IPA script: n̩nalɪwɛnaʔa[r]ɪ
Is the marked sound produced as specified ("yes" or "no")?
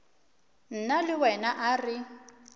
yes